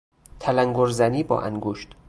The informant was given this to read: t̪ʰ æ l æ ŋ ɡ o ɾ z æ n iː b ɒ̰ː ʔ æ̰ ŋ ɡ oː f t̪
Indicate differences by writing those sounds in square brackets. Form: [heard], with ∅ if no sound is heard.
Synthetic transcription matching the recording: t̪ʰ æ l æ ŋ ɡ o ɾ z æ n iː b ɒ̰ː ʔ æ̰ ŋ ɡ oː [ʃ] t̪